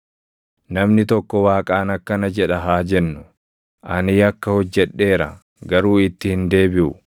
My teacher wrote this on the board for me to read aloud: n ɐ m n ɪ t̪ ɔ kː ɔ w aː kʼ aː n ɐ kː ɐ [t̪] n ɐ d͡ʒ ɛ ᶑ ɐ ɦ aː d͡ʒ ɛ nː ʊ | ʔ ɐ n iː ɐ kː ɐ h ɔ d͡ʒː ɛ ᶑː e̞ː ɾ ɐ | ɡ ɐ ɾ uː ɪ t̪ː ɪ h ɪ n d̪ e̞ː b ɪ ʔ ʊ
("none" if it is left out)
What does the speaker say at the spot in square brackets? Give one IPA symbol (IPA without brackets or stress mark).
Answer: none